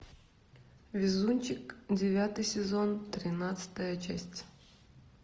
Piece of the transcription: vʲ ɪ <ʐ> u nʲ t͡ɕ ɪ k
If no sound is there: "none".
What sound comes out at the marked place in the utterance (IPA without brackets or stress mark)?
z